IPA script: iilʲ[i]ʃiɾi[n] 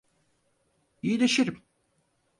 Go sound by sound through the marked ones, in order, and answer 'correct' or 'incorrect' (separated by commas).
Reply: incorrect, incorrect